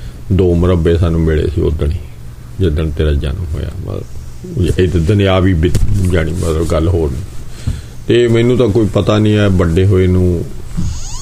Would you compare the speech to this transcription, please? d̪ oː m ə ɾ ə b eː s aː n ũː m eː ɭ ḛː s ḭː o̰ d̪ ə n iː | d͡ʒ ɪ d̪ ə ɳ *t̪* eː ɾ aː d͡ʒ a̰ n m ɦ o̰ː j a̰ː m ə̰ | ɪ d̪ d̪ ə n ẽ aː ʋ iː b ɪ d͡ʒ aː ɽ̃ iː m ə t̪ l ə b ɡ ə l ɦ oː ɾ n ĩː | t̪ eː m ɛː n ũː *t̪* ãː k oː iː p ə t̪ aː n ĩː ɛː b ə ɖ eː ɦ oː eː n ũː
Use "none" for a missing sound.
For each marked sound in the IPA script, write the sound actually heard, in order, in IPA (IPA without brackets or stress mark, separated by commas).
t̪, t̪